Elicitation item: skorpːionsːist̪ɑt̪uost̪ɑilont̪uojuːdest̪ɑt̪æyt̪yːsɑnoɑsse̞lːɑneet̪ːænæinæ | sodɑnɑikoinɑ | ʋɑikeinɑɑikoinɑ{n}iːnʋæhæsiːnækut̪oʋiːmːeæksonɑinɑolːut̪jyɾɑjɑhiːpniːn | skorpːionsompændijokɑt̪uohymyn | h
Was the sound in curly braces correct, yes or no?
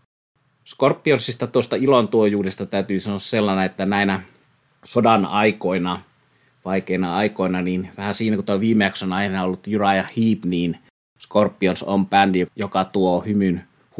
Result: yes